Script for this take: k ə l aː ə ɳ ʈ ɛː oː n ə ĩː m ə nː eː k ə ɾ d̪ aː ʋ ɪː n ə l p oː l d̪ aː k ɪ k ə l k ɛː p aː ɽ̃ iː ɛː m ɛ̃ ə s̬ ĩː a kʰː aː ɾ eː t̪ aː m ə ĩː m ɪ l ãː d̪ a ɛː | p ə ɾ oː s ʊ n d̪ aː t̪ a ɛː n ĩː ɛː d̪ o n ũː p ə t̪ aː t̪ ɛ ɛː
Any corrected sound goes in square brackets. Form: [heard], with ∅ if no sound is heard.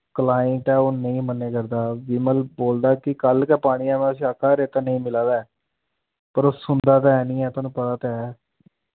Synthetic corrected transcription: k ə l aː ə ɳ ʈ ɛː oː n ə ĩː m ə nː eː k ə ɾ d̪ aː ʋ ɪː [m] ə l [b] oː l d̪ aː k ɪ k ə l k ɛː p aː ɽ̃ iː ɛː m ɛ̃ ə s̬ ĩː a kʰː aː ɾ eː t̪ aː [n] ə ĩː m ɪ l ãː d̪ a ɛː | p ə ɾ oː s ʊ n d̪ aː t̪ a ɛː n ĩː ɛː [t̪] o n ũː p ə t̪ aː t̪ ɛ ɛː

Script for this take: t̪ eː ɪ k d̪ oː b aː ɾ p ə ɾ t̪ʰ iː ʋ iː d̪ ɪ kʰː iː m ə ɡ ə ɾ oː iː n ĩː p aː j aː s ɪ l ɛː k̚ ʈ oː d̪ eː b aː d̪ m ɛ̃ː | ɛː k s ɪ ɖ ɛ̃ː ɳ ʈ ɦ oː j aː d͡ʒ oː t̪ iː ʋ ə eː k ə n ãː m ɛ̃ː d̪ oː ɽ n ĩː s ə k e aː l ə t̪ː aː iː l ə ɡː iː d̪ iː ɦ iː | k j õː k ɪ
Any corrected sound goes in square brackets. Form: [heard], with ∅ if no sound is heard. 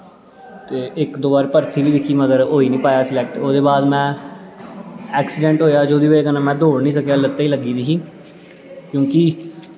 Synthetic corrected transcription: t̪ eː ɪ k d̪ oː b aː ɾ p ə ɾ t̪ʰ iː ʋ iː d̪ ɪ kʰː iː m ə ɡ ə ɾ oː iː n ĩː p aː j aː s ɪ l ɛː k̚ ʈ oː d̪ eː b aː d̪ m ɛ̃ː | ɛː k s ɪ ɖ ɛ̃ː ɳ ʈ ɦ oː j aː d͡ʒ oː [d̪] iː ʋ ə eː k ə n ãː m ɛ̃ː d̪ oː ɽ n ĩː s ə k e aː l ə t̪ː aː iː l ə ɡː iː d̪ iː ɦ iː | k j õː k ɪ

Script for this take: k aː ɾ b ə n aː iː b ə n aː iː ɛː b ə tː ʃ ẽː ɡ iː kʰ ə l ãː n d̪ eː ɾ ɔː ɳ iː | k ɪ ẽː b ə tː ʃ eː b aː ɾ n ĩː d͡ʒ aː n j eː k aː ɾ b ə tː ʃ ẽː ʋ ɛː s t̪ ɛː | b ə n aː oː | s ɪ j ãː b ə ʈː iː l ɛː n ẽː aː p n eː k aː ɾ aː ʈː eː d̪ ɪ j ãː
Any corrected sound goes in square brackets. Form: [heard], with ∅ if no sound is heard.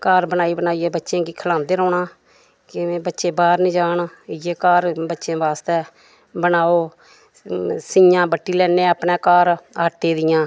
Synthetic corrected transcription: k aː ɾ b ə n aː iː b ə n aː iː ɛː b ə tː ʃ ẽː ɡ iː kʰ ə l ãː n d̪ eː ɾ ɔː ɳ [aː] | k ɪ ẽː b ə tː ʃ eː b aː ɾ n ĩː d͡ʒ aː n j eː k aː ɾ b ə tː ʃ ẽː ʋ [aː] s t̪ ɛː | b ə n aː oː | s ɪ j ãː b ə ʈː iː l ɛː n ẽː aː p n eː k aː ɾ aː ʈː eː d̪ ɪ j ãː

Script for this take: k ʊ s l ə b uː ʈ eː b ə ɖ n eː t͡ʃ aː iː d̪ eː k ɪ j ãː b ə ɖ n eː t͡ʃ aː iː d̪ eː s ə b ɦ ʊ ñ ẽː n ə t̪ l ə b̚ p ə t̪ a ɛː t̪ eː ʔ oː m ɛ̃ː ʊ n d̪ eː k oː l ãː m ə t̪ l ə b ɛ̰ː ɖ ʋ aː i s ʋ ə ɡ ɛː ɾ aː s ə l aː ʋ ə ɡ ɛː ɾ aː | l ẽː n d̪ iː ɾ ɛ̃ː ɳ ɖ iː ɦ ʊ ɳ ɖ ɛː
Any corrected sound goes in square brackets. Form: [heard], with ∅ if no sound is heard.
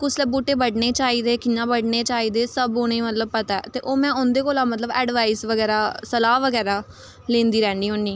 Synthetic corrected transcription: k ʊ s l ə b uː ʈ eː b ə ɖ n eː t͡ʃ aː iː d̪ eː k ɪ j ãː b ə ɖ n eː t͡ʃ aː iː d̪ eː s ə b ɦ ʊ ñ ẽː [m] ə t̪ l ə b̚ p ə t̪ a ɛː t̪ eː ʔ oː m ɛ̃ː ʊ n d̪ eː k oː l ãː m ə t̪ l ə b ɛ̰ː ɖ ʋ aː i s ʋ ə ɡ ɛː ɾ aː s ə l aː ʋ ə ɡ ɛː ɾ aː | l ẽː n d̪ iː ɾ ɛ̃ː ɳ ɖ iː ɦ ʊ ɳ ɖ [iː]

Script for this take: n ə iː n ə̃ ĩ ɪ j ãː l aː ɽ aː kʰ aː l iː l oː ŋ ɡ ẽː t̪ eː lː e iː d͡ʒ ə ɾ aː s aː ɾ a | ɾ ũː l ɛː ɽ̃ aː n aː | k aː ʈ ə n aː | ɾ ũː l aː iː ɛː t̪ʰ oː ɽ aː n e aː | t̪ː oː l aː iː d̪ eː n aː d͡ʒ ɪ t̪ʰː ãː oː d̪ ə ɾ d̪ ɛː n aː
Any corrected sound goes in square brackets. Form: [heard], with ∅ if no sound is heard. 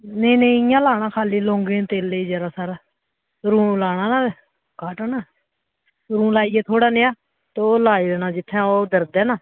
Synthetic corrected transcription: n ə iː n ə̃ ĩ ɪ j ãː l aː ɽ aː kʰ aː l iː l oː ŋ ɡ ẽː t̪ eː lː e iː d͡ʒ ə ɾ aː s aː ɾ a | ɾ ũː l [aː] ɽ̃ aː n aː | k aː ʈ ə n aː | ɾ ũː l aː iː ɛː t̪ʰ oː ɽ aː n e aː | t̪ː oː l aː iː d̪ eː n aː d͡ʒ ɪ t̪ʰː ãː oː d̪ ə ɾ d̪ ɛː n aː

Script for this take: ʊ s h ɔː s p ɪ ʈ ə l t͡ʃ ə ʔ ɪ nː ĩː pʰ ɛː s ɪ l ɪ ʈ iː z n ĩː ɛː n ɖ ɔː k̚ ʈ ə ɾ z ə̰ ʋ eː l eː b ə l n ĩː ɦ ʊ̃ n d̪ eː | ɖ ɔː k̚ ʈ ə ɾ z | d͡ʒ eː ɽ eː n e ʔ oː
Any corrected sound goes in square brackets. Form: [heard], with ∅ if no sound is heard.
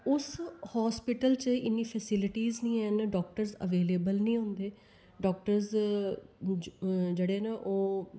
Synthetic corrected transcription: ʊ s h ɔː s p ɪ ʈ ə l t͡ʃ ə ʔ ɪ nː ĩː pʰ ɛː s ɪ l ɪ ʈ iː z n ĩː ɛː n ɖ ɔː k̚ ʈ ə ɾ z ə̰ ʋ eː l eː b ə l n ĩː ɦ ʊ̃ n d̪ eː | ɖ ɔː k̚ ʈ ə ɾ z | d͡ʒ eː ɽ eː n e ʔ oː

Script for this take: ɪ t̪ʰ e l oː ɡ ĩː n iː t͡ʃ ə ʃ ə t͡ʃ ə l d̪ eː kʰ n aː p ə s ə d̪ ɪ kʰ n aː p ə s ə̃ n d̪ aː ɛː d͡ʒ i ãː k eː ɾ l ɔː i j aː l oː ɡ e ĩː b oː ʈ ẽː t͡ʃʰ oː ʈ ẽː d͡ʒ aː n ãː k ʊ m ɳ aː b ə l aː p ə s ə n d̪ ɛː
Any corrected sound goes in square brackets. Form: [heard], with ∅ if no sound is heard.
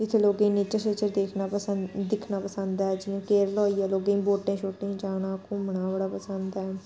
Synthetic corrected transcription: ɪ t̪ʰ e l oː ɡ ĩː n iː t͡ʃ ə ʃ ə t͡ʃ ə [ɾ] d̪ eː kʰ n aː p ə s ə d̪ ɪ kʰ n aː p ə s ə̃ n d̪ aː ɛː d͡ʒ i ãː k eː ɾ l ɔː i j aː l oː ɡ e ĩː b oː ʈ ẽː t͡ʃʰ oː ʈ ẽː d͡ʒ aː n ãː k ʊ m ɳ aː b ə [ɽ] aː p ə s ə n d̪ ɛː

